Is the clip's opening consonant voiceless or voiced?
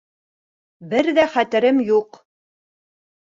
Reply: voiced